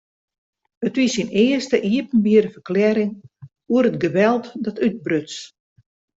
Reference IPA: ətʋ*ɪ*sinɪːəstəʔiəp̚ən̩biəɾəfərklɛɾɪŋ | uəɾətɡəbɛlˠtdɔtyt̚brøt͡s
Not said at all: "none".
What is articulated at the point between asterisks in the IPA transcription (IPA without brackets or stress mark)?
i